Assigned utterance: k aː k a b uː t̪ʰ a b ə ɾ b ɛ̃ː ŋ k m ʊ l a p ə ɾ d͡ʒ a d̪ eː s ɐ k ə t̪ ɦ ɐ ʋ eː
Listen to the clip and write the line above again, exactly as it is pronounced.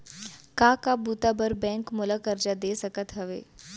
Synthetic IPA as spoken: k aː k a b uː t̪ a b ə ɾ b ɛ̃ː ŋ k m ʊ l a k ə ɾ d͡ʒ a d̪ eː s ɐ k ə t̪ ɦ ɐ ʋ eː